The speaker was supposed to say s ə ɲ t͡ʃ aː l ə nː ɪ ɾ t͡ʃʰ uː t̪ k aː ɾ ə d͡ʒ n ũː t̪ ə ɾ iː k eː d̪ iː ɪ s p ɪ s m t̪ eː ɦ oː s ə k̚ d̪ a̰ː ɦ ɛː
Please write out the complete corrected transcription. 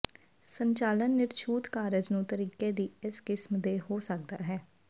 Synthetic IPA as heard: s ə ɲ t͡ʃ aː l ə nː ɪ ɾ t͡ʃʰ uː t̪ k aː ɾ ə d͡ʒ n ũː t̪ ə ɾ iː k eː d̪ iː ɪ s k ɪ s m d̪ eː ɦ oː s ə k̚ d̪ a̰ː ɦ ɛː